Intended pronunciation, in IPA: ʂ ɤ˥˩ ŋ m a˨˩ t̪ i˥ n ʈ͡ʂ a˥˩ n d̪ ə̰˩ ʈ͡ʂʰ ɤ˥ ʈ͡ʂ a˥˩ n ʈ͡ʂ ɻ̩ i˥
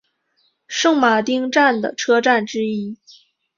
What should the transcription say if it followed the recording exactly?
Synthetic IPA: ʂ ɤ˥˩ ŋ m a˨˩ t̪ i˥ ŋ ʈ͡ʂ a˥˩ n d̪ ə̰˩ ʈ͡ʂʰ ɤ˥ ʈ͡ʂ a˥˩ n ʈ͡ʂ ɻ̩ i˥